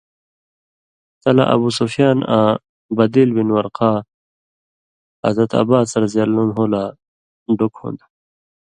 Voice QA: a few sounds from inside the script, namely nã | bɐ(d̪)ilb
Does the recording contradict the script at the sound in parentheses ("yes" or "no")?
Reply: no